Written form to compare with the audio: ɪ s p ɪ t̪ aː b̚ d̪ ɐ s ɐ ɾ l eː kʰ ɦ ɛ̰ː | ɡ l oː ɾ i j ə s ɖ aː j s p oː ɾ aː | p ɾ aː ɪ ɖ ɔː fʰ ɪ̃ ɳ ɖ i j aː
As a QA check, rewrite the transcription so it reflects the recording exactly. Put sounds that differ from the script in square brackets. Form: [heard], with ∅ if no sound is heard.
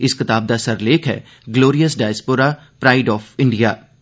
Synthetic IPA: ɪ s [k] ɪ t̪ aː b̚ d̪ [a] s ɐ ɾ l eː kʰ ɦ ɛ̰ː | ɡ l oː ɾ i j ə s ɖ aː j s p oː ɾ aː | p ɾ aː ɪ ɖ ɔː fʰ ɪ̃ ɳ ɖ i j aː

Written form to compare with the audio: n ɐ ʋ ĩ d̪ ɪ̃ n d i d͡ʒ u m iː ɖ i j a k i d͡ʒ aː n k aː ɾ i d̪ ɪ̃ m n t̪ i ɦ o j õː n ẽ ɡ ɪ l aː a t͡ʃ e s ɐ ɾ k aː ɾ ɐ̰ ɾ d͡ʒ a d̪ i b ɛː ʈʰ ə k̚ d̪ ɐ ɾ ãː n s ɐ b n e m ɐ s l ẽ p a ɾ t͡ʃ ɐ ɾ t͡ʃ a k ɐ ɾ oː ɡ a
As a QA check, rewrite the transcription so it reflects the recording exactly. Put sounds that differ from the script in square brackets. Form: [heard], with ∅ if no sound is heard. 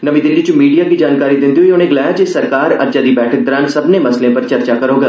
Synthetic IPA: n ɐ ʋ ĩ d̪ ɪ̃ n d i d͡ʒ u m iː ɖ i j a k i d͡ʒ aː n k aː ɾ i d̪ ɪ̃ [∅] n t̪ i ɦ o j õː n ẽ ɡ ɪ l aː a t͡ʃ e s ɐ ɾ k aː ɾ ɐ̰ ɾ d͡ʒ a d̪ i b ɛː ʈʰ ə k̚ d̪ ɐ ɾ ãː n s ɐ b n e m ɐ s l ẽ p [ɐ] ɾ t͡ʃ ɐ ɾ t͡ʃ a k ɐ ɾ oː ɡ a

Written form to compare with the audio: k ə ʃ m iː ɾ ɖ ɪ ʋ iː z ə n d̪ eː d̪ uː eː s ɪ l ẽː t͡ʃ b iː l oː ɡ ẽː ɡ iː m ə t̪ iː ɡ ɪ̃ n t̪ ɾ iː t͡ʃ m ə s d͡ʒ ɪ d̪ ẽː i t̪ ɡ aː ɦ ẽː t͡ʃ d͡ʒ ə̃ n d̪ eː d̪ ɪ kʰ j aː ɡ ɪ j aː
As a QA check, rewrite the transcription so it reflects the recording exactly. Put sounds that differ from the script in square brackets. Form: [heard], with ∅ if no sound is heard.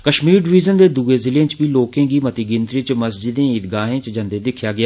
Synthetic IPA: k ə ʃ m iː ɾ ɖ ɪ ʋ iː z ə n d̪ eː d̪ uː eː [z] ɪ l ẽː t͡ʃ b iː l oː [k] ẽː ɡ iː m ə t̪ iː ɡ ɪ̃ n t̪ ɾ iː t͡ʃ m ə s d͡ʒ ɪ d̪ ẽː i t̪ ɡ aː ɦ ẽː t͡ʃ d͡ʒ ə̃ n d̪ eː d̪ ɪ kʰ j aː ɡ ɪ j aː

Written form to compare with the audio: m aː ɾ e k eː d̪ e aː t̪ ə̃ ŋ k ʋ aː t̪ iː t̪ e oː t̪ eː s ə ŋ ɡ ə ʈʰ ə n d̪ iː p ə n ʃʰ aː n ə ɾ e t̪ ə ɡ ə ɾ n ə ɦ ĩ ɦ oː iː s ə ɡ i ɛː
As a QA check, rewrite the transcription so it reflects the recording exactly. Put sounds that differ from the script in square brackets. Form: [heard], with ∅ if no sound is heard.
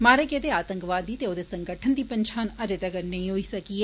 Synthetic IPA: m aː ɾ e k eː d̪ e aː t̪ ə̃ ŋ k ʋ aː [d̪] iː t̪ e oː [d̪] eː s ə ŋ ɡ ə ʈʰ ə n d̪ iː p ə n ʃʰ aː n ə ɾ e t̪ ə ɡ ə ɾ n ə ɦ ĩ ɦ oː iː s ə [k] i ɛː

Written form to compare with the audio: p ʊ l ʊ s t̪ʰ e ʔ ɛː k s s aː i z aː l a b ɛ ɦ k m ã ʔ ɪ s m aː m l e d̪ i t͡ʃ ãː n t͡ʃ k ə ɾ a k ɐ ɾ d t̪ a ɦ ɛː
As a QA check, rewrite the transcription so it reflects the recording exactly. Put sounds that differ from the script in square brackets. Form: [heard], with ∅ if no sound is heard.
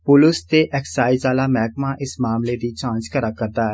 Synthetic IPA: p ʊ l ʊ s [t̪] e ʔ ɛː k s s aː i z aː l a [m] ɛ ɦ k m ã ʔ ɪ s m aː m l e d̪ i t͡ʃ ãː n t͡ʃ k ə ɾ a k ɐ ɾ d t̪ a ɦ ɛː

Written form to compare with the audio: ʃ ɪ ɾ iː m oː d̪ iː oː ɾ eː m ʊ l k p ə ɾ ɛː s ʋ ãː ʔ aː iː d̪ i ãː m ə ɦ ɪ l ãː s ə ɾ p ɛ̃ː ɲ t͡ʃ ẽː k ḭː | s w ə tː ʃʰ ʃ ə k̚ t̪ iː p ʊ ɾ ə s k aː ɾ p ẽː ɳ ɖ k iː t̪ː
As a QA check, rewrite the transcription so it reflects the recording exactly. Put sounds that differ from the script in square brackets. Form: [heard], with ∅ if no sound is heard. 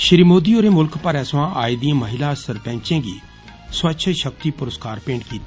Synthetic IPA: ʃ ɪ ɾ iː m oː d̪ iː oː ɾ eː m ʊ l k p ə ɾ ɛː s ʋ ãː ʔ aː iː d̪ i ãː m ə ɦ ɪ l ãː s ə ɾ p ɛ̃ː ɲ t͡ʃ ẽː [ɡ] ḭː | s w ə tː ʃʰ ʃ ə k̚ t̪ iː p ʊ ɾ ə s k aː ɾ p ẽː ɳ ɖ k iː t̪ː

